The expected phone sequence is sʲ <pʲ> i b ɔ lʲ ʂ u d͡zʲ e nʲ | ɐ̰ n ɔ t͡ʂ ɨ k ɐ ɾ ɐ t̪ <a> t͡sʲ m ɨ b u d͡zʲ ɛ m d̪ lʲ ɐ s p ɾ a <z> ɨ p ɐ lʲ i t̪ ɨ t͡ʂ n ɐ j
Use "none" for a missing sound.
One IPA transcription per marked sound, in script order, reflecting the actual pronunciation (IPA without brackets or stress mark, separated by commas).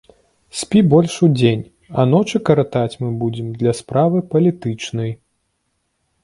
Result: pʲ, a, v